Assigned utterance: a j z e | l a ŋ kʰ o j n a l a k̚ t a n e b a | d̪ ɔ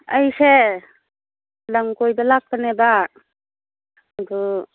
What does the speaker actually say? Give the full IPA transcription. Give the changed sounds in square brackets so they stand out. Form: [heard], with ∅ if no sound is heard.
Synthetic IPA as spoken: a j [s] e | l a ŋ [k] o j [d] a l a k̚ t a n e b a | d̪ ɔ